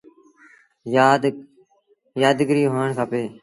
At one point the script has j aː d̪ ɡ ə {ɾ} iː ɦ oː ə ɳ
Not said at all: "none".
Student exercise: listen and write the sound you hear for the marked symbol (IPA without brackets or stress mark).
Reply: ɾ